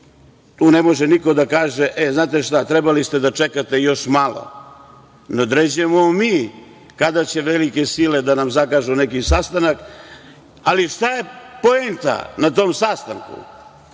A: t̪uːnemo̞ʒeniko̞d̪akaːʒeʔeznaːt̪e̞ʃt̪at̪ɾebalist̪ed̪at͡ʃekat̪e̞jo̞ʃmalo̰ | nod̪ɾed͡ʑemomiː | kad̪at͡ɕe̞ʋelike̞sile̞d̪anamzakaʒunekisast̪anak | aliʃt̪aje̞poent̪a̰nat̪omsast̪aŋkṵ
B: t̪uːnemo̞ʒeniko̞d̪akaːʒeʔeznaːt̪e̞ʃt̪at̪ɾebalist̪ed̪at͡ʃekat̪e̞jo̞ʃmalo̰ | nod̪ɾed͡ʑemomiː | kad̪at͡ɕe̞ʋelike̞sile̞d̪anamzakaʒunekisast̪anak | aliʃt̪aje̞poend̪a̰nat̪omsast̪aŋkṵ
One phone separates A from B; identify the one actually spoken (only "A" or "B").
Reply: A